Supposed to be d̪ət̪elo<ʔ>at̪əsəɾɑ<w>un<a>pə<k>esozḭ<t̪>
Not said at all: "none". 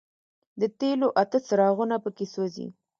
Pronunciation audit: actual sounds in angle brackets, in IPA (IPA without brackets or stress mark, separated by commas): ʔ, ɣ, a, k, none